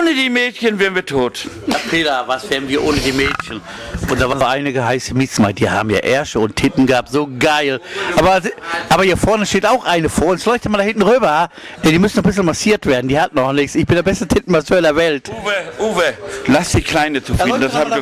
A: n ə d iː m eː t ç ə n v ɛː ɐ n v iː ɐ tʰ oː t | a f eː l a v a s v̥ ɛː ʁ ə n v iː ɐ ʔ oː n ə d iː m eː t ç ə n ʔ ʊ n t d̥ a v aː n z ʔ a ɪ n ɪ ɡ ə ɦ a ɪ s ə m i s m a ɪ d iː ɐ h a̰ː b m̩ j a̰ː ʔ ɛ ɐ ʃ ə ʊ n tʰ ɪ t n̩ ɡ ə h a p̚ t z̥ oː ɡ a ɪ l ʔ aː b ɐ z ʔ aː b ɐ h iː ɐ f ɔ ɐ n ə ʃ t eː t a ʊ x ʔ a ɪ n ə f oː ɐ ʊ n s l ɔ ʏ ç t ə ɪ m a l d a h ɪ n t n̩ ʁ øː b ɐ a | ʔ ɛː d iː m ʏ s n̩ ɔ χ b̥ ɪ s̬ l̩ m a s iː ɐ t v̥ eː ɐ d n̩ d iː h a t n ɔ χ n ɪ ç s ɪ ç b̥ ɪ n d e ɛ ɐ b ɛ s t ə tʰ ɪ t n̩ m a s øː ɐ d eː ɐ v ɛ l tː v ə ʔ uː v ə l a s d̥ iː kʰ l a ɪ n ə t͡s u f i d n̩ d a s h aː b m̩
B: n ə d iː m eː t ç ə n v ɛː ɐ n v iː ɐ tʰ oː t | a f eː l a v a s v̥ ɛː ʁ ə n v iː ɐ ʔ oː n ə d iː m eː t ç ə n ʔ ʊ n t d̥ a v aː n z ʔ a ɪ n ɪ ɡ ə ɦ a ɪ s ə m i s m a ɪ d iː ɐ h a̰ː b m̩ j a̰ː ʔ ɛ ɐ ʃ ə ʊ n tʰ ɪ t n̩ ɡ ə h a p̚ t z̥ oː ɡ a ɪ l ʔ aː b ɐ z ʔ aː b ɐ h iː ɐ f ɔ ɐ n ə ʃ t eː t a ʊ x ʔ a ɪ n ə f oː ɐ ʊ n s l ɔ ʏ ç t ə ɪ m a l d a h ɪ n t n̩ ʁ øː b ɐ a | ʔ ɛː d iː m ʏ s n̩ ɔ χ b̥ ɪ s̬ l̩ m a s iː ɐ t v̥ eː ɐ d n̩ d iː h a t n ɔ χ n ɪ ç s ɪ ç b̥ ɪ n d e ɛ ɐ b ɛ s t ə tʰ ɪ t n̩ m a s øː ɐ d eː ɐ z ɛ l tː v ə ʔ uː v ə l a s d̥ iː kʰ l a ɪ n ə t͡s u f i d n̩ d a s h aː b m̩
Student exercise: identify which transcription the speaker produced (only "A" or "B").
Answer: A